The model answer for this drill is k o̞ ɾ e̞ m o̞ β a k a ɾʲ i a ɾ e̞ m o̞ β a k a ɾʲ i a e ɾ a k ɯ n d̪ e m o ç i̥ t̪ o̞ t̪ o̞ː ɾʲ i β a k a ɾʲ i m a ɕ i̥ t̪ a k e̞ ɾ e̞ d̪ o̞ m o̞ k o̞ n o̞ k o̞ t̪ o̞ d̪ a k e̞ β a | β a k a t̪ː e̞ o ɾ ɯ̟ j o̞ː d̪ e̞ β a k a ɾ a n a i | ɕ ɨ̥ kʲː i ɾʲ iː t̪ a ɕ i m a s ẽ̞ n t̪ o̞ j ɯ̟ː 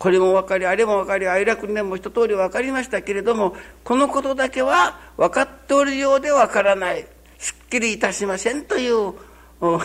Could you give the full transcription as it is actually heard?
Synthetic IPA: k o̞ ɾ e̞ m o̞ β a k a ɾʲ i a ɾ e̞ m o̞ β a k a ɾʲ i a i ɾ a k ɯ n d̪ e m o ç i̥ t̪ o̞ t̪ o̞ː ɾʲ i β a k a ɾʲ i m a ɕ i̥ t̪ a k e̞ ɾ e̞ d̪ o̞ m o̞ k o̞ n o̞ k o̞ t̪ o̞ d̪ a k e̞ β a | β a k a t̪ː e̞ o ɾ ɯ̟ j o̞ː d̪ e̞ β a k a ɾ a n a i | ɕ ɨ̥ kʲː i ɾʲ iː t̪ a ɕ i m a s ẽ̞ n t̪ o̞ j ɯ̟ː